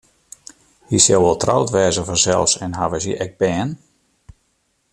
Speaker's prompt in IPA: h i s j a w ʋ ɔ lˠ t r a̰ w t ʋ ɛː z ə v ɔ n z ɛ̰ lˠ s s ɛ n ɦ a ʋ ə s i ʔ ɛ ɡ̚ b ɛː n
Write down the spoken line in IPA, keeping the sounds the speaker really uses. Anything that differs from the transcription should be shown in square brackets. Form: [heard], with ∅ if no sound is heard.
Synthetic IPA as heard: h i s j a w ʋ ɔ lˠ t r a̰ w t ʋ ɛː z ə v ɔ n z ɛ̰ lˠ [f] s ɛ n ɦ a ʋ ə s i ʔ ɛ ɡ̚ b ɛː n